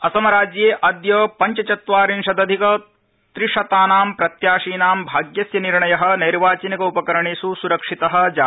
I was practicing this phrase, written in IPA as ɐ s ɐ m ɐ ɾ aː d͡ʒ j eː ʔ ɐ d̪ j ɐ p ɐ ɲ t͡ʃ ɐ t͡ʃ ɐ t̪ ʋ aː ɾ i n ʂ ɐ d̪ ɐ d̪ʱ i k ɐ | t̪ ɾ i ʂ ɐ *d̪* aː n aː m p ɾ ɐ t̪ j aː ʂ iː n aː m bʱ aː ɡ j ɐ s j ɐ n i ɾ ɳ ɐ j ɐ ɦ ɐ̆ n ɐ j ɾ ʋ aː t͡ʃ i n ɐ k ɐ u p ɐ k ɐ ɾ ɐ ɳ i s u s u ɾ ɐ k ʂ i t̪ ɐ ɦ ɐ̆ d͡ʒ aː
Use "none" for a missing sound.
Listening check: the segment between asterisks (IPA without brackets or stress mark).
t̪